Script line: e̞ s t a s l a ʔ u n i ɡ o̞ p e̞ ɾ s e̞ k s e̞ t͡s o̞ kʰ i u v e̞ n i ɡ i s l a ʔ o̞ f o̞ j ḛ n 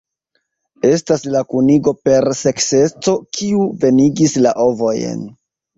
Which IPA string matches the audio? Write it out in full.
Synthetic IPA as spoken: e̞ s t a s l a k u n i ɡ o̞ p e̞ ɾ s e̞ k s e̞ t͡s o̞ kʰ i u v e̞ n i ɡ i s l a ʔ o̞ v o̞ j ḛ n